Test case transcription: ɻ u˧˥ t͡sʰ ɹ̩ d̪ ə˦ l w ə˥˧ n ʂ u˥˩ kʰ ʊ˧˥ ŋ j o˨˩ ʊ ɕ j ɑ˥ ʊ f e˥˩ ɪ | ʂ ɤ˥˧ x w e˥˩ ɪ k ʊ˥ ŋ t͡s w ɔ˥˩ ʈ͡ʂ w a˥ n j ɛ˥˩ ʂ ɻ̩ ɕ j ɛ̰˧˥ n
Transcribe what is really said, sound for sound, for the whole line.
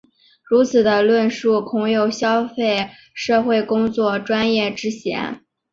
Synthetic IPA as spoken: ɻ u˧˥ t͡sʰ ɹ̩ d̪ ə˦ l w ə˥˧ n ʂ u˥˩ kʰ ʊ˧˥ ŋ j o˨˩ ʊ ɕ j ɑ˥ ʊ f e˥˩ ɪ | ʂ ɤ˥˧ x w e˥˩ ɪ k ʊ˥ ŋ t͡s w ɔ˥˩ ʈ͡ʂ w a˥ n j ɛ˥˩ ʈ͡ʂ ɻ̩ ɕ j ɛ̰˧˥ n

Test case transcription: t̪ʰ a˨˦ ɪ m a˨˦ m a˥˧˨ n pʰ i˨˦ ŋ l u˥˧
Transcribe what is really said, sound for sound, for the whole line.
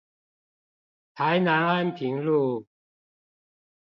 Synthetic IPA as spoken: t̪ʰ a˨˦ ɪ n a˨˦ n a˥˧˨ n pʰ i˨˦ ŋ l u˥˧

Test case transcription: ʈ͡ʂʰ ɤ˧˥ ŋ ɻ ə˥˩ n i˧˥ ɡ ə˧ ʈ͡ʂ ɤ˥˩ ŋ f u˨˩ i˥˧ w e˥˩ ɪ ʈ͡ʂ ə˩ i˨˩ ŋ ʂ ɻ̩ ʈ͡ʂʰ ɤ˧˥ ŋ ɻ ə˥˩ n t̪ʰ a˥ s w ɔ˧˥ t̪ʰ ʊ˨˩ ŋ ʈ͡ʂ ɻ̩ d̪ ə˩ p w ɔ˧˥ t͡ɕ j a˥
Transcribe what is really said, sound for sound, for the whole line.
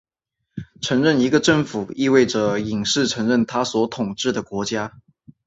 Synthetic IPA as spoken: ʈ͡ʂʰ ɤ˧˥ ŋ ɻ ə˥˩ n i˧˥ ɡ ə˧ ʈ͡ʂ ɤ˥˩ ŋ f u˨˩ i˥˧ w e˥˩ ɪ ʈ͡ʂ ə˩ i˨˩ ŋ ʂ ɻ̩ ʈ͡ʂʰ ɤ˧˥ ŋ ɻ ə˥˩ n t̪ʰ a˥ s w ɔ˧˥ t̪ʰ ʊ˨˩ ŋ ʈ͡ʂ ɻ̩ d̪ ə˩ k w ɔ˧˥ t͡ɕ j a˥

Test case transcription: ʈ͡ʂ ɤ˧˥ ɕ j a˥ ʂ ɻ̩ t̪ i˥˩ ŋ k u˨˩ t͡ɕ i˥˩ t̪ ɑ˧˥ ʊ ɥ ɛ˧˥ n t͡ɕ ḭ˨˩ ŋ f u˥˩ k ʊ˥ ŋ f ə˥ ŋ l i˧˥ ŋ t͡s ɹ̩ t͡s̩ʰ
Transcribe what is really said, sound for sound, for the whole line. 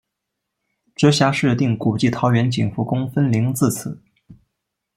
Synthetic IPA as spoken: ʈ͡ʂ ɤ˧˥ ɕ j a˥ ʂ ɻ̩ t̪ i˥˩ ŋ k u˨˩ t͡ɕ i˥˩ t̪ʰ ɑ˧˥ ʊ ɥ ɛ˧˥ n t͡ɕ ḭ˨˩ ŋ f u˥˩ k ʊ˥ ŋ f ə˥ n l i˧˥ ŋ t͡s ɹ̩ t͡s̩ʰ

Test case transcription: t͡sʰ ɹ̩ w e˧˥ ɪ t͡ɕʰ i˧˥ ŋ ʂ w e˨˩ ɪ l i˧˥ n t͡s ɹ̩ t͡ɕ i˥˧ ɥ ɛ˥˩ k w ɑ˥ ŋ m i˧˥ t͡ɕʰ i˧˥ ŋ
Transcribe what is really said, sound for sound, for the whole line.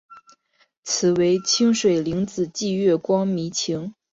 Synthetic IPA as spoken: t͡sʰ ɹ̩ w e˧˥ ɪ t͡ɕʰ i˥ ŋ ʂ w e˨˩ ɪ l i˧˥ ŋ t͡s ɹ̩ t͡ɕ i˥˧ ɥ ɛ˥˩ k w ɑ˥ ŋ m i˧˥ t͡ɕʰ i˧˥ ŋ

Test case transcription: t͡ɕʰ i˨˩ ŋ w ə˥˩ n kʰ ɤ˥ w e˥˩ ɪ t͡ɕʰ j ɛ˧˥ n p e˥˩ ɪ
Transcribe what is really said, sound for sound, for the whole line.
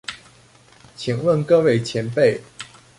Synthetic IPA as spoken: t͡ɕʰ i˨˩ ŋ w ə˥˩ n k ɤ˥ w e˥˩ ɪ t͡ɕʰ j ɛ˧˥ n p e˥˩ ɪ

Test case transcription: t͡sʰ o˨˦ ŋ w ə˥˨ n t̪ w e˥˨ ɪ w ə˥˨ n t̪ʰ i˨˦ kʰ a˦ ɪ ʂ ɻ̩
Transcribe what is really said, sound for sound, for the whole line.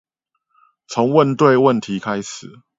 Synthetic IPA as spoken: t͡sʰ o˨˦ ŋ w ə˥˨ n t̪ w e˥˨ ɪ w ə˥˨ n t̪ʰ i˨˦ kʰ a˦ ɪ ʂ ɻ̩

